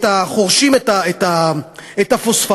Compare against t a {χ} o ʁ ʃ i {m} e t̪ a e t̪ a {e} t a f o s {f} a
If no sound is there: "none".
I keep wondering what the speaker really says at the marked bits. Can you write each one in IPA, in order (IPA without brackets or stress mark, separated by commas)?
χ, m, e, f